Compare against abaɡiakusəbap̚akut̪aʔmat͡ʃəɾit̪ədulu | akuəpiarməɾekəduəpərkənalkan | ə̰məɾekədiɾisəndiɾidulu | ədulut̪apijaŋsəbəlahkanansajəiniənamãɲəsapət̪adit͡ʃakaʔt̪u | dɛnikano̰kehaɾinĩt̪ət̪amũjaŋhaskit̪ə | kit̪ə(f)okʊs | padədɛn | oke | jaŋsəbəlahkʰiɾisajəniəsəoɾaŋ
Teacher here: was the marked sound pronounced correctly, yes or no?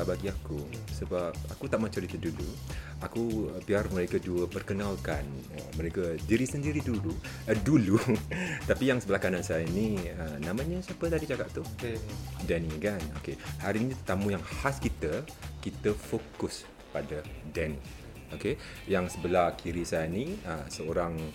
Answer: yes